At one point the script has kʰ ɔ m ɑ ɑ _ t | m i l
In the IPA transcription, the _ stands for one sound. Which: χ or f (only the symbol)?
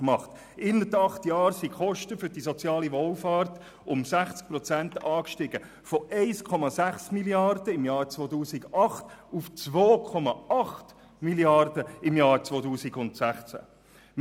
χ